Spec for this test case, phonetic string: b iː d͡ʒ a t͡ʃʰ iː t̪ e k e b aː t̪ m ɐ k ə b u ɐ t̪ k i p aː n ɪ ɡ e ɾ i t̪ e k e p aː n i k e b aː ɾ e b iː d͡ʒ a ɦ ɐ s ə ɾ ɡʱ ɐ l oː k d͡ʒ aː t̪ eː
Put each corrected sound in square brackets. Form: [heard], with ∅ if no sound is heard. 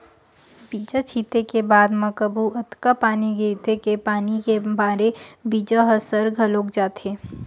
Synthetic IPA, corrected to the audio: b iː d͡ʒ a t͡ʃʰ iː t̪ e k e b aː [d̪] m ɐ k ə b u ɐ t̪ k [a] p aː n [i] ɡ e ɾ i t̪ e k e p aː n i k e b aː ɾ e b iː d͡ʒ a ɦ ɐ s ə ɾ ɡʱ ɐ l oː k d͡ʒ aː t̪ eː